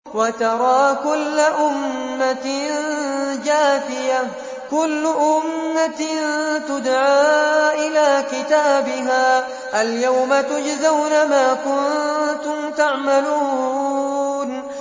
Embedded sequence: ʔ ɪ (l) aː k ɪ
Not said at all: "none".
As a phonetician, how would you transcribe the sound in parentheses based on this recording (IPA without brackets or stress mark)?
l